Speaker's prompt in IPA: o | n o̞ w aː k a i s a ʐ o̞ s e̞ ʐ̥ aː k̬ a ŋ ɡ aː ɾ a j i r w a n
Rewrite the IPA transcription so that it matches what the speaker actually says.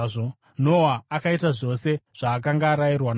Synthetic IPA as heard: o | n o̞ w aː k a i t a ʐ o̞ s e̞ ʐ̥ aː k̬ a ŋ ɡ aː ɾ a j i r w a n

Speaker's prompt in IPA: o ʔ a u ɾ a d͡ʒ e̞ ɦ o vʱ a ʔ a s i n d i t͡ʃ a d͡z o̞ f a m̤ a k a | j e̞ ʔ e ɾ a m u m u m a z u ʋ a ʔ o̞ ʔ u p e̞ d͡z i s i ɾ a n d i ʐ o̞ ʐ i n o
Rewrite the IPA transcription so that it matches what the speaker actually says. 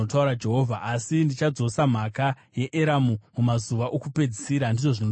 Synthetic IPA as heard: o t a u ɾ a d͡ʒ e̞ ɦ o vʱ a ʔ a s i n d i t͡ʃ a d͡z o̞ s a m̤ a k a | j e̞ ʔ e ɾ a m u m u m a z u ʋ a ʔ o̞ k u p e̞ d͡z i s i ɾ a n d i ʐ o̞ ʐ i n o

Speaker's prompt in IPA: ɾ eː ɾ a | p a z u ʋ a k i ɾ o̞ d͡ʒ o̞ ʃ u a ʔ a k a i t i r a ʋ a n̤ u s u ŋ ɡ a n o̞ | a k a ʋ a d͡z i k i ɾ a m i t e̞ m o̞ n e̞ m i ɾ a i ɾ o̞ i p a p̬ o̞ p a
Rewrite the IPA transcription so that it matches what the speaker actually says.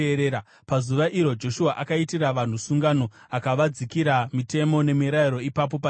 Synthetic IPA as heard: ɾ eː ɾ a | p a z u ʋ a ʔ i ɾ o̞ d͡ʒ o̞ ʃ u a ʔ a k a i t i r a ʋ a n̤ u s u ŋ ɡ a n o̞ | a k a ʋ a d͡z i k i ɾ a m i t e̞ m o̞ n e̞ m i ɾ a i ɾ o̞ i p a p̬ o̞ p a

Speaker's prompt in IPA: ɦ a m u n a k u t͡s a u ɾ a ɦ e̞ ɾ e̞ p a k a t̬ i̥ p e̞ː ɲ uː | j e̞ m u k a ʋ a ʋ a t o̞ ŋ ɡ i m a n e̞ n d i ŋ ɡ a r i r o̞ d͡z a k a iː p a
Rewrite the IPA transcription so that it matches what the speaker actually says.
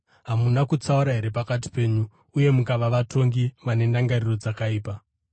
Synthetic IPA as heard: ɦ a m u n a k u t͡s a u ɾ a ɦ e̞ ɾ e̞ p a k a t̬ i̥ p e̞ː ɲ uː | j e̞ m u k a ʋ a ʋ a t o̞ ŋ ɡ i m a n e̞ n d a ŋ ɡ a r i r o̞ d͡z a k a iː p a

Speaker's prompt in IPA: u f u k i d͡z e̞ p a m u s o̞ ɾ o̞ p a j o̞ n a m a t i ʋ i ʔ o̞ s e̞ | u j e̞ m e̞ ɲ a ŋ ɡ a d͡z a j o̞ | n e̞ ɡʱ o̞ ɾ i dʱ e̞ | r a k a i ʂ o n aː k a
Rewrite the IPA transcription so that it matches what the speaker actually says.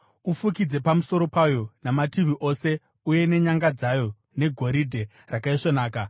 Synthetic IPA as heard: u f u k i d͡z e̞ p a m u s o̞ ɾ o̞ p a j o̞ n a m a t i ʋ i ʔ o̞ s e̞ | u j e̞ n e̞ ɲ a ŋ ɡ a d͡z a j o̞ | n e̞ ɡʱ o̞ ɾ i dʱ e̞ | r a k a i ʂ o n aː k a

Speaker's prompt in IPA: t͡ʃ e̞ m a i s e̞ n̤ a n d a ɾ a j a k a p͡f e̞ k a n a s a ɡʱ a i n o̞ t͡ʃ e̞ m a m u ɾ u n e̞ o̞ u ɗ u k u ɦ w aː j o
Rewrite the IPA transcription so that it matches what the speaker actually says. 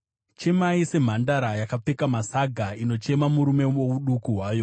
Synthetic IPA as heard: t͡ʃ e̞ m a i s e̞ m̤ a n d a ɾ a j a k a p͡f e̞ k a m a s a ɡʱ a i n o̞ t͡ʃ e̞ m a m u ɾ u m e̞ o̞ u ɗ u k u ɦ w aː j o

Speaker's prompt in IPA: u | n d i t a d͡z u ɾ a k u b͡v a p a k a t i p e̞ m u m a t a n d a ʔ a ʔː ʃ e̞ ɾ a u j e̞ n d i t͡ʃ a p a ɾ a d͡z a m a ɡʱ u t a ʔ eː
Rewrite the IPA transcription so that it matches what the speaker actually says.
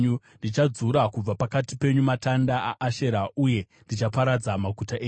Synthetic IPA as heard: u | n d i t͡ʃ a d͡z u ɾ a k u b͡v a p a k a t i p e̞ ɲ u m a t a n d a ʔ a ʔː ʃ e̞ ɾ a u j e̞ n d i t͡ʃ a p a ɾ a d͡z a m a ɡʱ u t a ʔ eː

